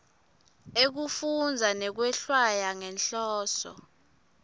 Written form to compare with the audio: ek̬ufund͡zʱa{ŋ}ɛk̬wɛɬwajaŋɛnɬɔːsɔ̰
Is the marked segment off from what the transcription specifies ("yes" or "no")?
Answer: yes